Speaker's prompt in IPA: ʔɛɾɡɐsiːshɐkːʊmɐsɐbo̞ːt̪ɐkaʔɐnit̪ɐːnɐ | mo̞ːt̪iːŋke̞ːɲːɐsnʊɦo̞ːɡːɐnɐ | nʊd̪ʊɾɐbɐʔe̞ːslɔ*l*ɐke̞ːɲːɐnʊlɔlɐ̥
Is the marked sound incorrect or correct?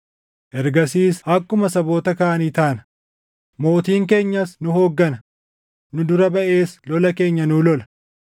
correct